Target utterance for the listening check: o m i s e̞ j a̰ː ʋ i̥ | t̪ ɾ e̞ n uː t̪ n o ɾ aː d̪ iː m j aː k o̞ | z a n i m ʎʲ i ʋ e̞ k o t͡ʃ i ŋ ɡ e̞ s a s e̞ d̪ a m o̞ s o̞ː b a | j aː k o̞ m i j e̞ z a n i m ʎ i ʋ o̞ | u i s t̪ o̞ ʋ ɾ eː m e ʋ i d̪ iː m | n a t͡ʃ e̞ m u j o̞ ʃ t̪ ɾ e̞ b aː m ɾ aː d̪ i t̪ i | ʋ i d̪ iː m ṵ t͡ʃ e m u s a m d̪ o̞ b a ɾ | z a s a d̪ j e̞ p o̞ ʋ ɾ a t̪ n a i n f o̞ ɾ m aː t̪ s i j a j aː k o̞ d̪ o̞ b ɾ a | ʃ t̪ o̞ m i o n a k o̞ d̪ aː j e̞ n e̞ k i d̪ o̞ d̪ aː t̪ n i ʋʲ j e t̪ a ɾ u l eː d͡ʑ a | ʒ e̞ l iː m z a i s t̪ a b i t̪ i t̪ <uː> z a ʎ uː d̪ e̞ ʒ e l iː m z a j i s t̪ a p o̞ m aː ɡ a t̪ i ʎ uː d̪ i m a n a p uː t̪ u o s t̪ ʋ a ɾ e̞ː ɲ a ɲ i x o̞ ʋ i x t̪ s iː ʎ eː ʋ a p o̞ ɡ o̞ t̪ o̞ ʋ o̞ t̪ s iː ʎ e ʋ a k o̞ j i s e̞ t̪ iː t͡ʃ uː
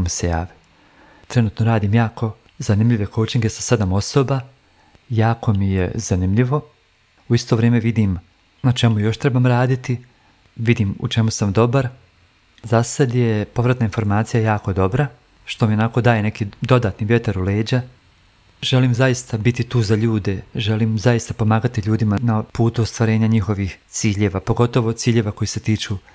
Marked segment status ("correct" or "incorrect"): correct